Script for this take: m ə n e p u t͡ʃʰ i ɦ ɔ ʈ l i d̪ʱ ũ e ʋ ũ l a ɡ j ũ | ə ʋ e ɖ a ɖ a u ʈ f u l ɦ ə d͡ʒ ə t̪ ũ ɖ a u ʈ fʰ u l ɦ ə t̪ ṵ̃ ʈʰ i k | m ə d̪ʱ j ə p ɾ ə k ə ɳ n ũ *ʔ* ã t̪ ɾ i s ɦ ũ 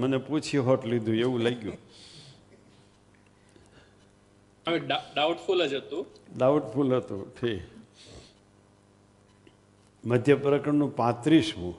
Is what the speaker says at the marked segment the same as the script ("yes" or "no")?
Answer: no